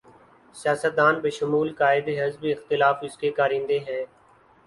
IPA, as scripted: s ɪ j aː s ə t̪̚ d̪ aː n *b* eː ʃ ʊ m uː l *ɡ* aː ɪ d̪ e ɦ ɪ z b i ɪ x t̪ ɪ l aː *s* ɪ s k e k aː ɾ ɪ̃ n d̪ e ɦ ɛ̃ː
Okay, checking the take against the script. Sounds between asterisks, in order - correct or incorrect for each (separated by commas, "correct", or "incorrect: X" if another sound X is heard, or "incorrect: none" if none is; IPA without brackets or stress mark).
correct, incorrect: k, incorrect: f